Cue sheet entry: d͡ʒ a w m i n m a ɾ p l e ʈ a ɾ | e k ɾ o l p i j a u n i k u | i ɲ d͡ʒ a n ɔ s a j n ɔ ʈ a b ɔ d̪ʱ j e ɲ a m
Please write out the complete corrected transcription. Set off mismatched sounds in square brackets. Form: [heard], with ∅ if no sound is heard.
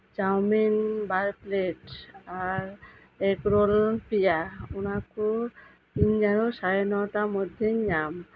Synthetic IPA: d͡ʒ a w m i n [b] a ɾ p l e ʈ a ɾ | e k ɾ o l p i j a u n [a] k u | i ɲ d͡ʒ a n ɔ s a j n ɔ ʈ a [m] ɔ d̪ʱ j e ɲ a m